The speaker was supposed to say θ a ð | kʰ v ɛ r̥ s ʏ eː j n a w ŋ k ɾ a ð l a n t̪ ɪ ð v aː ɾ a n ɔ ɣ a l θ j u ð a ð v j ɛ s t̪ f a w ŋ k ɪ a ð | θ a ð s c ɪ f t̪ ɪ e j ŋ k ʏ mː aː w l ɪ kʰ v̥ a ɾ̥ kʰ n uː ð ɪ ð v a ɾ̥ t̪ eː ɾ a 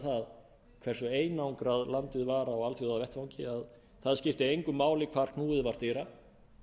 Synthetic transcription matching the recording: θ a ð | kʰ v ɛ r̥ s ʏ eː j n a w ŋ k ɾ a ð l a n t̪ ɪ ð v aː ɾ a ɔ ɣ a l θ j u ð a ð v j ɛ h t̪ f a w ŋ c ɪ a ð | θ a ð s c ɪ f t̪ ɪ e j ŋ k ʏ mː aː w l ɪ kʰ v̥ a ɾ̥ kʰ n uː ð ɪ ð v a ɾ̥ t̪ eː ɾ a